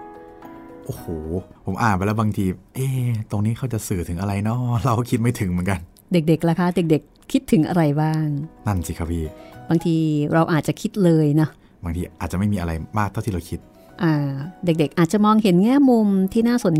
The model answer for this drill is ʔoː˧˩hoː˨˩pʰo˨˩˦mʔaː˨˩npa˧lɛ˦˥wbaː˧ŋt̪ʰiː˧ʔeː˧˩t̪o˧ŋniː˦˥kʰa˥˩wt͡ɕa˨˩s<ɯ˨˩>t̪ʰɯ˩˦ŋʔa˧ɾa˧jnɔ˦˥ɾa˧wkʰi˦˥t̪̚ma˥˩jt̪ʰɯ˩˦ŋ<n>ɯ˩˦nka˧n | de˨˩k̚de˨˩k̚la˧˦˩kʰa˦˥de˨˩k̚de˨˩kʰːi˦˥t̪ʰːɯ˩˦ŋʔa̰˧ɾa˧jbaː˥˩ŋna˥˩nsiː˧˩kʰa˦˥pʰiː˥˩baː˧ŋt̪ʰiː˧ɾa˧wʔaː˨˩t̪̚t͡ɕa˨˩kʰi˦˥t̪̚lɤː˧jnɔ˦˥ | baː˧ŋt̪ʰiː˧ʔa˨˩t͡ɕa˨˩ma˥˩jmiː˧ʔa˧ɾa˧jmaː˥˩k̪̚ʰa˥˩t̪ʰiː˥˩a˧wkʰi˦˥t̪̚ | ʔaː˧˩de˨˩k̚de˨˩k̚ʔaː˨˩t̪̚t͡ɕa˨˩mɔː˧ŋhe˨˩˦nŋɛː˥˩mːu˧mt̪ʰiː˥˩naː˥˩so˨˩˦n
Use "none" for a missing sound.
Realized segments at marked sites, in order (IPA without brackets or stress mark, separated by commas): ɯː˨˩, m